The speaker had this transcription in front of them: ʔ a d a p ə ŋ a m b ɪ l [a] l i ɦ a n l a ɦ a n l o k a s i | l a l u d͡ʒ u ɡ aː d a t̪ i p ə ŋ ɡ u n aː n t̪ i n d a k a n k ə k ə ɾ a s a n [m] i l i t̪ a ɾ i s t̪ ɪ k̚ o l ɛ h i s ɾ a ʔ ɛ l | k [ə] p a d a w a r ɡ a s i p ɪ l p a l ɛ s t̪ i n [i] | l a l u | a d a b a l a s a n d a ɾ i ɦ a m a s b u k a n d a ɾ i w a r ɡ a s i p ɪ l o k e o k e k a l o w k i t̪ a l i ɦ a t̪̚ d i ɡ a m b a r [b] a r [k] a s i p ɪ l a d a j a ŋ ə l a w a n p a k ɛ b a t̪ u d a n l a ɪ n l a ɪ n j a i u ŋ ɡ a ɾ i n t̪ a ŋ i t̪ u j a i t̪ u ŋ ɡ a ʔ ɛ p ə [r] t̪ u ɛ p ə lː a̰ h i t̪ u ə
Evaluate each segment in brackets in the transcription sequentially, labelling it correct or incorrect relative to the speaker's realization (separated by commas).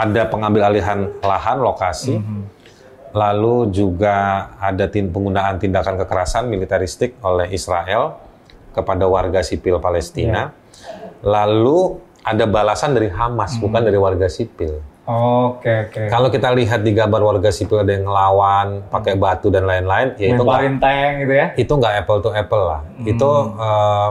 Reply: correct, correct, correct, incorrect, incorrect, incorrect, incorrect